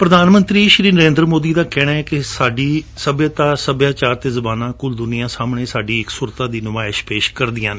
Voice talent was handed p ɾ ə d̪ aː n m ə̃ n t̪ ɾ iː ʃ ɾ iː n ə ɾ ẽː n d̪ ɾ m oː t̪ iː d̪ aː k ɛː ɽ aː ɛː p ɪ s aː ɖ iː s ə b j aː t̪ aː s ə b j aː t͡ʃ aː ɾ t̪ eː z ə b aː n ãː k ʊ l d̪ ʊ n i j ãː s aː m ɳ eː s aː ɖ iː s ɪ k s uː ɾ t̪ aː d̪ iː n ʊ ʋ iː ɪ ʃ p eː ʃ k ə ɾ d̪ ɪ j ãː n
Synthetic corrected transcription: p ɾ ə d̪ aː n m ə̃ n t̪ ɾ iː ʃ ɾ iː n ə ɾ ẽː n d̪ ɾ m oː d̪ iː d̪ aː k ɛː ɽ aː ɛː k ɪ s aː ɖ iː s ə b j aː t̪ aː s ə b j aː t͡ʃ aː ɾ t̪ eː z ə b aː n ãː k ʊ l d̪ ʊ n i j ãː s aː m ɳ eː s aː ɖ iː ɪ k s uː ɾ t̪ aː d̪ iː n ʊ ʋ aː ɪ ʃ p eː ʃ k ə ɾ d̪ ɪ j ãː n